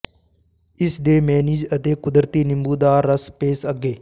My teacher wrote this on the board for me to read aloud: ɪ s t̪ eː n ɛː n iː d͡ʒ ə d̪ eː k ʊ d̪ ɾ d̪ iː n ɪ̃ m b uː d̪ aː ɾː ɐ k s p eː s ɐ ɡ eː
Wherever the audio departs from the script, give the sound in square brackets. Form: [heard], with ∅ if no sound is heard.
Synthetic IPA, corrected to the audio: ɪ s [d̪] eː [m] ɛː n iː d͡ʒ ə [t̪] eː k ʊ d̪ ɾ [t̪] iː n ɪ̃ m b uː d̪ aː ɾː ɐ [∅] s p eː s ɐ ɡ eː